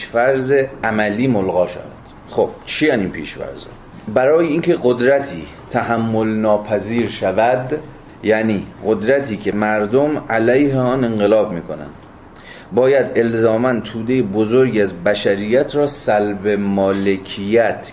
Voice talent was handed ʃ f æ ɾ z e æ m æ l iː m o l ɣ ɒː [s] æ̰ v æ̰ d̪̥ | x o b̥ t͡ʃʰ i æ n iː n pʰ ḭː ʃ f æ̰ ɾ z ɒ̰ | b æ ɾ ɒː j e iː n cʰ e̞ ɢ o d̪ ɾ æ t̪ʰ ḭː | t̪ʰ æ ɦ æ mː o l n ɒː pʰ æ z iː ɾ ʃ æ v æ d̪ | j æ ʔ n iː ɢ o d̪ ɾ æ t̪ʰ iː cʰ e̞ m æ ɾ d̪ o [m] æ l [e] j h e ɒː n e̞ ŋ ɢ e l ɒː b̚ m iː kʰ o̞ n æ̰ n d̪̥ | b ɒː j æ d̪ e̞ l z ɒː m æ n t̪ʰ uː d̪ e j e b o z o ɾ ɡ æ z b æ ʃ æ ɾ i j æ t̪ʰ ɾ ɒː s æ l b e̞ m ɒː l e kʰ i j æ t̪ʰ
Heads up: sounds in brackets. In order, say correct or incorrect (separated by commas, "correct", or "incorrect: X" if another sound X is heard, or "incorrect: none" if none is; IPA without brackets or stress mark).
incorrect: ʃ, correct, incorrect: æ